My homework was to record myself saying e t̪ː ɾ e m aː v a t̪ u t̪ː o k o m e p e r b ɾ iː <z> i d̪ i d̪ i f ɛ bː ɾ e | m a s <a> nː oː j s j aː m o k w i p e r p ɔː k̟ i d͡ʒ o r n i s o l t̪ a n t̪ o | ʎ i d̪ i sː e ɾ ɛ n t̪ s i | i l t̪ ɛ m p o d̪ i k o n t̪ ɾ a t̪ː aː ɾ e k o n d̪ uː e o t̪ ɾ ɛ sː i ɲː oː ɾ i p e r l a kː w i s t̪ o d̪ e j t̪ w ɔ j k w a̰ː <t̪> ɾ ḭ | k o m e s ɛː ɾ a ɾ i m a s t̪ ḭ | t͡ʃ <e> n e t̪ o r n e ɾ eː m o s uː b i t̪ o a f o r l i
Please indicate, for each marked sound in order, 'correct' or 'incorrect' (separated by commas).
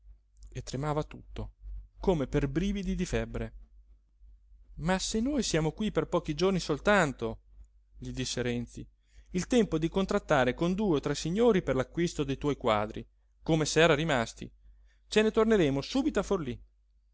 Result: incorrect, incorrect, incorrect, correct